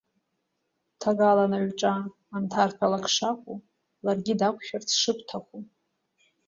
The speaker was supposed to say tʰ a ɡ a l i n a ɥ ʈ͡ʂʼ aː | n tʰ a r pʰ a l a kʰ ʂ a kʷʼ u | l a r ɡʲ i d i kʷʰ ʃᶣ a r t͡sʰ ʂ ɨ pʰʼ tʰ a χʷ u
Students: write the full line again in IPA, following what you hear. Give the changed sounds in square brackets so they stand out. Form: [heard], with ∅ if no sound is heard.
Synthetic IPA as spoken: tʰ a ɡ a l [a] n a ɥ ʈ͡ʂʼ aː | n tʰ a r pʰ a l a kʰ ʂ a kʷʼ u | l a r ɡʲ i d [a] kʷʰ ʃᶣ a r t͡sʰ ʂ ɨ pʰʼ tʰ a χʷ u